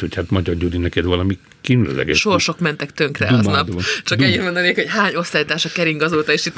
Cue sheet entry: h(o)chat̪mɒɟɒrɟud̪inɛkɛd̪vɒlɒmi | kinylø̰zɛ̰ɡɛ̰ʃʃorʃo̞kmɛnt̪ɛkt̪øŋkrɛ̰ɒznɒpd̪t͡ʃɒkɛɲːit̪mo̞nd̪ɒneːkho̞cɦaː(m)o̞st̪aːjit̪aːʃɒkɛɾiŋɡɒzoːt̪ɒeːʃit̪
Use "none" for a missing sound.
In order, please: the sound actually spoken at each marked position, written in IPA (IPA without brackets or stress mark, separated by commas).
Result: o, ɲ